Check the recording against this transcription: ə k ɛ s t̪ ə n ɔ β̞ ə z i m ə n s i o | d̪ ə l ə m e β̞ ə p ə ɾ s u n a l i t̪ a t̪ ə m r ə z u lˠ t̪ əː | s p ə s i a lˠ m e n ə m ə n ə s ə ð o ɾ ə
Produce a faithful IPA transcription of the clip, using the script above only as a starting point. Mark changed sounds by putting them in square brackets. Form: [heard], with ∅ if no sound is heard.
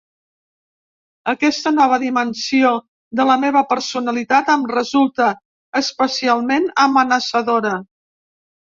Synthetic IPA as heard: ə k ɛ s t̪ ə n ɔ β̞ ə [ð] i m ə n s i o | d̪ ə l ə m e β̞ ə p ə ɾ s u n [ə] l i t̪ a t̪ ə m r ə z u lˠ t̪ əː | s p ə s i a lˠ m e n ə m ə n ə s ə ð o ɾ ə